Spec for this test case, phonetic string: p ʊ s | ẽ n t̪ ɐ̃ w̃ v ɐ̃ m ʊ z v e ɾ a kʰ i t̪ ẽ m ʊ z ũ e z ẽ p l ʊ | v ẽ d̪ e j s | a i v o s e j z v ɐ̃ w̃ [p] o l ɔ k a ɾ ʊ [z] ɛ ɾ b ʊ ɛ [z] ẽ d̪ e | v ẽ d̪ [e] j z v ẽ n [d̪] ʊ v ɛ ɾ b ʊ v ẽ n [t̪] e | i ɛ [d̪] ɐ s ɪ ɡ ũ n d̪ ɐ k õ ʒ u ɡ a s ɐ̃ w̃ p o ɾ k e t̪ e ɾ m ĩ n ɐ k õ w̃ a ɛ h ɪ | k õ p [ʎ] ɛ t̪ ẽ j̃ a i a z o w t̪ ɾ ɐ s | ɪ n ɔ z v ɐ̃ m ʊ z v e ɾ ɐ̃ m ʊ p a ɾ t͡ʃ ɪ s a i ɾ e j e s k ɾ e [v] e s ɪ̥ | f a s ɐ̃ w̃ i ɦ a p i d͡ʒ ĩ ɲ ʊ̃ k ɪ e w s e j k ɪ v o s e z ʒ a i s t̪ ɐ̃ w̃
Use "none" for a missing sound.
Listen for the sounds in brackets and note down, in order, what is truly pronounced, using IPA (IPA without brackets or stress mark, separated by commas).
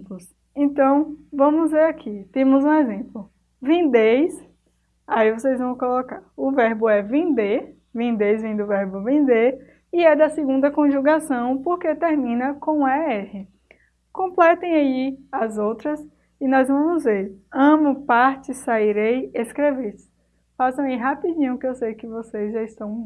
k, v, v, e, d̪, d̪, d̪, l, v